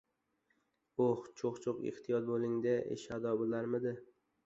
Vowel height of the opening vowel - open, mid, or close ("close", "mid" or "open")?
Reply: mid